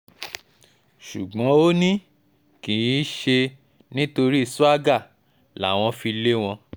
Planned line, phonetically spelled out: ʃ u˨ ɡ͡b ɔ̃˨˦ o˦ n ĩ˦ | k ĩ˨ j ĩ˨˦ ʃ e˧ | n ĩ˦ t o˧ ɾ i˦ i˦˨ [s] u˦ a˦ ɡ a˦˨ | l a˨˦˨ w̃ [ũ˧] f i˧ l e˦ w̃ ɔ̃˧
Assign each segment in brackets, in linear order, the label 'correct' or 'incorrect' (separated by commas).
correct, incorrect